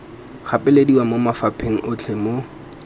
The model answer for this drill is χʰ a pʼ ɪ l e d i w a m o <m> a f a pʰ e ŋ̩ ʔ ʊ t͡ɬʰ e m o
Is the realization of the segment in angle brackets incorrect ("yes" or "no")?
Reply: no